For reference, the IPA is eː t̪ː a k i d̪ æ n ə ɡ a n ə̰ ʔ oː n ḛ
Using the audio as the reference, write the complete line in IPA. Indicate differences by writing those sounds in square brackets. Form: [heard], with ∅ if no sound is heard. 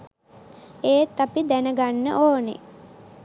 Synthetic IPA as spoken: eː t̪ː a [p] i d̪ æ n ə ɡ a [nː] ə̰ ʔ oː n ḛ